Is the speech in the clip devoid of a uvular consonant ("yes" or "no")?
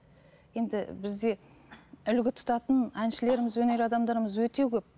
yes